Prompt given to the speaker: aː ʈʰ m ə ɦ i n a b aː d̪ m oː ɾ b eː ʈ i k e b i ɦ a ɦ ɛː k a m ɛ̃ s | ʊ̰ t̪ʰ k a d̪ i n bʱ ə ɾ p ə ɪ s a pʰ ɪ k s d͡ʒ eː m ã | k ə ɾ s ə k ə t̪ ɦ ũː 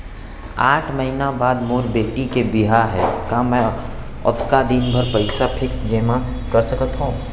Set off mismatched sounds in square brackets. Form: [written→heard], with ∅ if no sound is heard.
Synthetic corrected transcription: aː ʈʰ m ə ɦ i n a b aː d̪ m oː ɾ b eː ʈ i k e b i ɦ a ɦ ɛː k a m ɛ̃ [s→∅] | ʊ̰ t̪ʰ k a d̪ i n bʱ ə ɾ p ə ɪ s a pʰ ɪ k s d͡ʒ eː m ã | k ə ɾ s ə k ə t̪ ɦ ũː